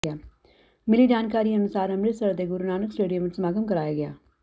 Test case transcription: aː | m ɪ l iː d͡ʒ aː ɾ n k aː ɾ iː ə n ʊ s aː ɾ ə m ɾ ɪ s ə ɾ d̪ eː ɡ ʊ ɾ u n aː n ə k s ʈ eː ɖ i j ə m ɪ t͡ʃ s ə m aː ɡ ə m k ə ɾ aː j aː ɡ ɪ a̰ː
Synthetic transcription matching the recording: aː | m ɪ l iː d͡ʒ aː n k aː ɾ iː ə n ʊ s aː ɾ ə m ɾ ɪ s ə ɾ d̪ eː ɡ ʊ ɾ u n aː n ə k s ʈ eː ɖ i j ə m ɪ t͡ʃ s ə m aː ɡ ə m k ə ɾ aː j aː ɡ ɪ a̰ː